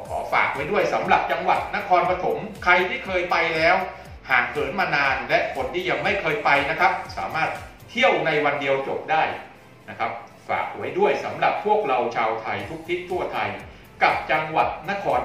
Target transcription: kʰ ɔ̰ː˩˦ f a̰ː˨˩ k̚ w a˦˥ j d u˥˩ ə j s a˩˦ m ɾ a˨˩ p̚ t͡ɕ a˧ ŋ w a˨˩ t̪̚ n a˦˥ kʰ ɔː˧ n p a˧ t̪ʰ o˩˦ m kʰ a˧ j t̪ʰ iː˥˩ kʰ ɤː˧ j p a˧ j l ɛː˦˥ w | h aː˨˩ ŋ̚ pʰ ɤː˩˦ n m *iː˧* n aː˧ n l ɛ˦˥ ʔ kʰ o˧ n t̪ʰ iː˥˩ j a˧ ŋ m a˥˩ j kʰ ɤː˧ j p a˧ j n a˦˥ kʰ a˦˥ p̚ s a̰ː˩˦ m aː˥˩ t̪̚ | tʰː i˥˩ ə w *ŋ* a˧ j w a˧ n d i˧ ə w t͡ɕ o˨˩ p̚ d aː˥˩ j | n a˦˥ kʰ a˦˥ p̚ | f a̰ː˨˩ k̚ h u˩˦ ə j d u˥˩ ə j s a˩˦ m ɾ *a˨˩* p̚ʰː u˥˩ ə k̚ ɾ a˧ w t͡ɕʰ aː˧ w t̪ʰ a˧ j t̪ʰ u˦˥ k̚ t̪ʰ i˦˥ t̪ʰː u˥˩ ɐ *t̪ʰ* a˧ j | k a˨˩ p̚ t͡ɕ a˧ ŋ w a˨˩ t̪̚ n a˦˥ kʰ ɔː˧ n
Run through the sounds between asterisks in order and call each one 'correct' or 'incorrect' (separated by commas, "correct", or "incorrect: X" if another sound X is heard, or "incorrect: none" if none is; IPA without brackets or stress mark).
incorrect: aː˧, incorrect: n, correct, correct